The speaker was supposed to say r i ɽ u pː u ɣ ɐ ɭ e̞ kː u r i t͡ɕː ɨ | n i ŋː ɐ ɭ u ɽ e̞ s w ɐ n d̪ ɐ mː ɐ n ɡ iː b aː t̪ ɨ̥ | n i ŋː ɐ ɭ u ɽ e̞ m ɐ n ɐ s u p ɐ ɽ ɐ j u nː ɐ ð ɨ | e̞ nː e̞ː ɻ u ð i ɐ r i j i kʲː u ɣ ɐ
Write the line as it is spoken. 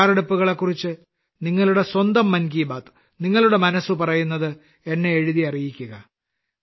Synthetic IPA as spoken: r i ɽ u pː u ɣ ɐ ɭ e̞ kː u r i t͡ɕː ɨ | n i ŋː ɐ ɭ u ɽ e̞ s w ɐ n d̪ ɐ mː ɐ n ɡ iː b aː t̪ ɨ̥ | n i ŋː ɐ ɭ u ɽ e̞ m ɐ n ɐ s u p ɐ r ɐ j u nː ɐ ð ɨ | e̞ nː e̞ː ɻ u ð i ɐ r i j i kʲː u ɣ ɐ